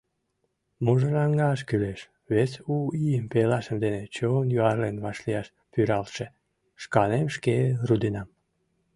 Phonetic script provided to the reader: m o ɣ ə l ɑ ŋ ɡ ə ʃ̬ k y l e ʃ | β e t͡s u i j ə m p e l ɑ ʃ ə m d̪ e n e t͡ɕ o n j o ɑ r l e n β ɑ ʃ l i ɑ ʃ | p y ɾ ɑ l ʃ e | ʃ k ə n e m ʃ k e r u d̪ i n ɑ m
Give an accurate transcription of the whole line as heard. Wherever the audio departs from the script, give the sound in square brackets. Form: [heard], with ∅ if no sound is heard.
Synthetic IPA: m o [ʒ] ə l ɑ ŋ ɡ [ɑ] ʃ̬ k y l e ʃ | β e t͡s u i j ə m p e l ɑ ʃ ə m d̪ e n e t͡ɕ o n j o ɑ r l e n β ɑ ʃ l i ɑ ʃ | p y ɾ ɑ l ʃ e | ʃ k [ɑ] n e m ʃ k e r u d̪ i n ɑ m